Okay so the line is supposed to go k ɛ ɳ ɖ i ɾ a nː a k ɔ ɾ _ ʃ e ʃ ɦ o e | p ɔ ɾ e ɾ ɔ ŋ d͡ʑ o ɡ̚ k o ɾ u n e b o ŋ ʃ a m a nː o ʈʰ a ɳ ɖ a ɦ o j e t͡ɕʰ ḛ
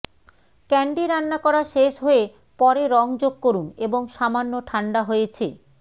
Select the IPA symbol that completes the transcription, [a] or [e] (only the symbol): a